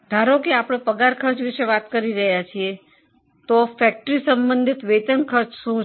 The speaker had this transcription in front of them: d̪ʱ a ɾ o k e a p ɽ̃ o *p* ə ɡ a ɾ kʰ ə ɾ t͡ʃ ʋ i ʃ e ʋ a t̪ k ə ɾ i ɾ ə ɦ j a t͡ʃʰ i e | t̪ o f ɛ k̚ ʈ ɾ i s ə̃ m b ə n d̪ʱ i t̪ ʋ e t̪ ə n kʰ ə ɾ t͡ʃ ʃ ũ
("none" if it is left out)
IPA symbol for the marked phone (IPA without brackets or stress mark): p